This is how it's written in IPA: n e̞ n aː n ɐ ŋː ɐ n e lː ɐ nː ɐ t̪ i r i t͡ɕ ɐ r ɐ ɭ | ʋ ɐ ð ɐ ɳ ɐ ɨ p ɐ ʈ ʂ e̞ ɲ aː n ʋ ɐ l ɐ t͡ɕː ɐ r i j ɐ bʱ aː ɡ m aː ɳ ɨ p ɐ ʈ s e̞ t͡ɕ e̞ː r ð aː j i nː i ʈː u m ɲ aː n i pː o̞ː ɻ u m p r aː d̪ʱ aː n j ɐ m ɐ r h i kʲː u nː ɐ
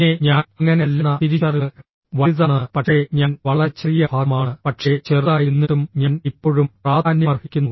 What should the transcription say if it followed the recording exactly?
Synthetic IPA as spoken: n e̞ ɲ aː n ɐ ŋː ɐ n e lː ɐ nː ɐ t̪ i ɾ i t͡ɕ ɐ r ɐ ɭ | ʋ ɐ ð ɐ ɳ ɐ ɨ p ɐ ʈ ʂ e̞ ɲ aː n ʋ ɐ ɭ ɐ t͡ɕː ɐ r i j ɐ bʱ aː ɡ m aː ɳ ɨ p ɐ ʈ ʂ e̞ t͡ɕ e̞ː r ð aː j i nː i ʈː u m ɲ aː n i pː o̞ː ɻ u m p r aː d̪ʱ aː n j ɐ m ɐ r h i kʲː u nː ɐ